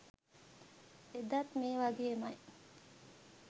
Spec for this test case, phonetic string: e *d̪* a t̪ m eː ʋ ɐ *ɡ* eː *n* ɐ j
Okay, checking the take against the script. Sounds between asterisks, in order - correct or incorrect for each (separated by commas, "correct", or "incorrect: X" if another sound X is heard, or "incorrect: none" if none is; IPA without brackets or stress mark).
correct, correct, incorrect: m